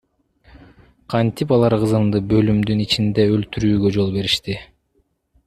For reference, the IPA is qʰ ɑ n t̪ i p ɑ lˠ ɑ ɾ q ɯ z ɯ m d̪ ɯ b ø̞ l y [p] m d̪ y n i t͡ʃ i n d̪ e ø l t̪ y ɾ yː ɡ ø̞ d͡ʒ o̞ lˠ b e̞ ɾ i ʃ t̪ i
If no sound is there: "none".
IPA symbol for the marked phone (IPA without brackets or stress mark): none